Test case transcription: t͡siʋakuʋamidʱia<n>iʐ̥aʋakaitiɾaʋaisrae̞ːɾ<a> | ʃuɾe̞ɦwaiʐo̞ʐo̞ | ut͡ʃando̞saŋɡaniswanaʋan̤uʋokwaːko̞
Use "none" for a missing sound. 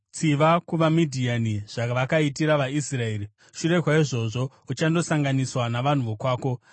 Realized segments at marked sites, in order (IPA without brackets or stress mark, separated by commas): n, i